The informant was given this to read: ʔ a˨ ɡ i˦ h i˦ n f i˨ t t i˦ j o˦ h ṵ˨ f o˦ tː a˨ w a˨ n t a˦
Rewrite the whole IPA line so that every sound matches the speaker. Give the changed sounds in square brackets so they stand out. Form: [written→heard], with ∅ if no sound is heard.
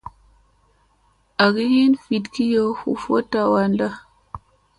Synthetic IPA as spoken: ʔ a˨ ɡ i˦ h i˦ n f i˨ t [t→k] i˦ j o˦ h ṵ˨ f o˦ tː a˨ w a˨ n [t→d] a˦